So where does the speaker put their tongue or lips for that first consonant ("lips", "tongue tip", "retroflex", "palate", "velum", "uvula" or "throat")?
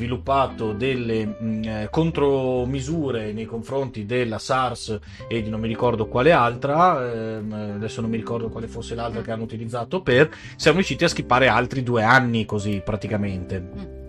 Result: lips